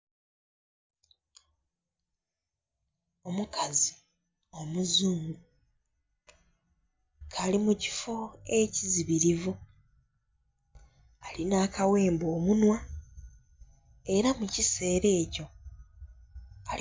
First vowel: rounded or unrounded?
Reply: rounded